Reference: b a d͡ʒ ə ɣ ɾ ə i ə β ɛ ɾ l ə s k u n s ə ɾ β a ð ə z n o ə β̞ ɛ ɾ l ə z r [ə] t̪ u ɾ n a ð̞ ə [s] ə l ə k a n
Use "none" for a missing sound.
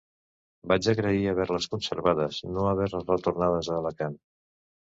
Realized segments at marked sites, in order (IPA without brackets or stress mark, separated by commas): ə, z